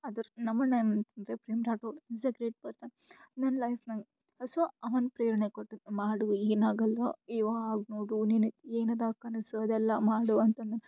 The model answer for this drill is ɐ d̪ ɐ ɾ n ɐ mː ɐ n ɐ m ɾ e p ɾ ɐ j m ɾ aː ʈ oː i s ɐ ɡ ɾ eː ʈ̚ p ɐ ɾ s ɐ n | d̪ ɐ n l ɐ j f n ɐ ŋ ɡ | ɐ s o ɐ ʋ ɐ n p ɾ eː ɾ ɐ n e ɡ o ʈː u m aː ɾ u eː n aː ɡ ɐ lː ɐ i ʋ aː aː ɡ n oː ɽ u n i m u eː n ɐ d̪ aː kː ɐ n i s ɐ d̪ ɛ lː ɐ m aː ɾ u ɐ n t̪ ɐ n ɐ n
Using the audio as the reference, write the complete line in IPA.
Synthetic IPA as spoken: ɐ d̪ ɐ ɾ n ɐ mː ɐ n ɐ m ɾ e p ɾ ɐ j m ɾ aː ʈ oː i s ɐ ɡ ɾ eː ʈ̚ p ɐ ɾ s ɐ n | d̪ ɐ n l ɐ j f n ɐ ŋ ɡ | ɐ s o ɐ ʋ ɐ n p ɾ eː ɾ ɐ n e k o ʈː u m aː ɽ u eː n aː ɡ ɐ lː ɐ i ʋ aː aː ɡ n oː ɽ u n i n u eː n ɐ d̪ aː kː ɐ n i s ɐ d̪ ɛ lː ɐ m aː ɽ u ɐ n t̪ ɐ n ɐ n